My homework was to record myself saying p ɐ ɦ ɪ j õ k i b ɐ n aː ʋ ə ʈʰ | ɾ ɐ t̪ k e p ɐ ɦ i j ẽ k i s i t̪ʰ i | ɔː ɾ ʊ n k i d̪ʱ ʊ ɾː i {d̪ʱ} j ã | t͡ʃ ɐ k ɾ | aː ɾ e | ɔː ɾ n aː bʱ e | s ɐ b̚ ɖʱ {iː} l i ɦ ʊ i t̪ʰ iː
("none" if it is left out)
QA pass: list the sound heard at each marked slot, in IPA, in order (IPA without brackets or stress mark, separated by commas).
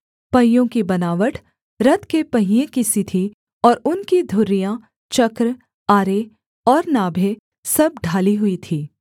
none, aː